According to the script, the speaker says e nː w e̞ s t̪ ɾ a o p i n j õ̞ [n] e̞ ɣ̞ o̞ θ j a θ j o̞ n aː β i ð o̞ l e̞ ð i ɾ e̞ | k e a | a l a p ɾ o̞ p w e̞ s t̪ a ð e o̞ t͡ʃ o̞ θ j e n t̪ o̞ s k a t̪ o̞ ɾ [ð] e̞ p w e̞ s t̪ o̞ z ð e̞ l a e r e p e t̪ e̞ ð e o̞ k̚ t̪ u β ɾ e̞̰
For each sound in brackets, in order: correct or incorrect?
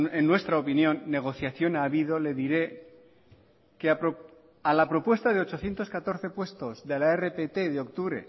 incorrect, incorrect

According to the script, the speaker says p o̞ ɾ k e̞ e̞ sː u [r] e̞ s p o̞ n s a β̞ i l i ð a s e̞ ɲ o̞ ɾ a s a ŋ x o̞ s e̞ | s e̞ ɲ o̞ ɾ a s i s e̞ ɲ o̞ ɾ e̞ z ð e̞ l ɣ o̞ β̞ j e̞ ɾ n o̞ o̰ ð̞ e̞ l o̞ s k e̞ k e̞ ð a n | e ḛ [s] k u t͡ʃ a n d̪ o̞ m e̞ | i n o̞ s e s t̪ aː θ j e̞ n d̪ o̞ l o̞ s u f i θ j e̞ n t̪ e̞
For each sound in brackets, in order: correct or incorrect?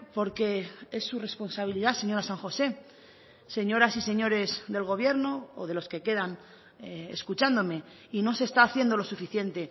correct, correct

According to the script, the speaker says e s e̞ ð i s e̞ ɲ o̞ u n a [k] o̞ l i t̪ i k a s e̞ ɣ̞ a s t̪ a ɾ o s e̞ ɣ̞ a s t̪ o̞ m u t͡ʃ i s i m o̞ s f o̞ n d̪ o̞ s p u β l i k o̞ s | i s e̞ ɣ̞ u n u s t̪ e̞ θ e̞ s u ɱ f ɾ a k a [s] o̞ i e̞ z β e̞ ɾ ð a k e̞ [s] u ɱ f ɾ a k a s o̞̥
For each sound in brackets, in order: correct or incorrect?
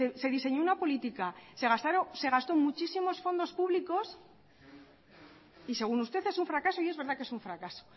incorrect, correct, correct

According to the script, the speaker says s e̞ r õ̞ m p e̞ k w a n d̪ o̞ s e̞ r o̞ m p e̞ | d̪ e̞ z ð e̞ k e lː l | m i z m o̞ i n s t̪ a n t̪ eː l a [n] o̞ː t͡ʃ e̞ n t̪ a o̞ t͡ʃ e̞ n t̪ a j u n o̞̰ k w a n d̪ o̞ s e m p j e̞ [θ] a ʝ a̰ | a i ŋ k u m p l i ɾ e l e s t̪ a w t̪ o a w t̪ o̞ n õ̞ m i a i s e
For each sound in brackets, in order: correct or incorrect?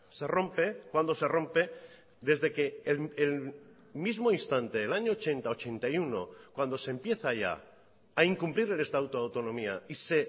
incorrect, correct

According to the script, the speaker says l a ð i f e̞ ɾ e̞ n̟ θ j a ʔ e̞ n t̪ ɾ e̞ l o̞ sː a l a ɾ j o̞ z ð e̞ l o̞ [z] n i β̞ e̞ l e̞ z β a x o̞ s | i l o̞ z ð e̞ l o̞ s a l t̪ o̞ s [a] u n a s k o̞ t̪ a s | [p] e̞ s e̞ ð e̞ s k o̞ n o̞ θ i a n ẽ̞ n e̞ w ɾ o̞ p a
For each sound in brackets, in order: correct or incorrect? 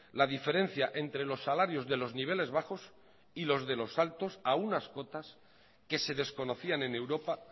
correct, correct, incorrect

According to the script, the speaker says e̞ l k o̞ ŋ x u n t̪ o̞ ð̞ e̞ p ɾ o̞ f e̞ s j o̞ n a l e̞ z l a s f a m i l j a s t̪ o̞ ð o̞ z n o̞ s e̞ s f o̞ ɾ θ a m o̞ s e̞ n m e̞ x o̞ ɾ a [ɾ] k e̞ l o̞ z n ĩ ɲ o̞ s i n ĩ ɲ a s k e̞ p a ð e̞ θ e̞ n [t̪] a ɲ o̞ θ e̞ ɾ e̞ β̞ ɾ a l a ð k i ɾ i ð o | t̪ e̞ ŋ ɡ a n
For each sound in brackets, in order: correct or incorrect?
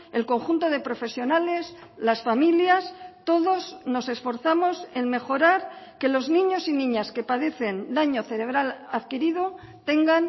correct, incorrect

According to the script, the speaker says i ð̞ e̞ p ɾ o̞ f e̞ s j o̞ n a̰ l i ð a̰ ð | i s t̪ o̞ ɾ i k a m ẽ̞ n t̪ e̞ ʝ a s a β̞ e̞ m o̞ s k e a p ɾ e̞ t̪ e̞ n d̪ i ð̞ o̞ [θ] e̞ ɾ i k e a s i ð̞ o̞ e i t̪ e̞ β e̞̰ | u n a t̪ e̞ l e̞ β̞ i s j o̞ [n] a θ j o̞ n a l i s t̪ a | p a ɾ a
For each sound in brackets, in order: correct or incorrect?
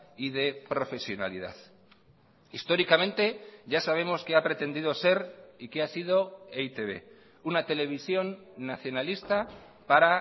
incorrect, incorrect

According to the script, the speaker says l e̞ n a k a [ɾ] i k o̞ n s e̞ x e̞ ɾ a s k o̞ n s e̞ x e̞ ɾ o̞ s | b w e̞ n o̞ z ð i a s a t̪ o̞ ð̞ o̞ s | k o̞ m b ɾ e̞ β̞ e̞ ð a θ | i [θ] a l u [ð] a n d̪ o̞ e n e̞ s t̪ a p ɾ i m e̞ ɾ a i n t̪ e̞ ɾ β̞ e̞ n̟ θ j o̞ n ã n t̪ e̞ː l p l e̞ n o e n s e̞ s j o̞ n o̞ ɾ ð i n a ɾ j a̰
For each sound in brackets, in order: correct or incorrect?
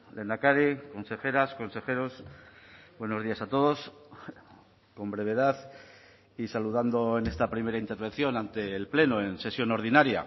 correct, incorrect, correct

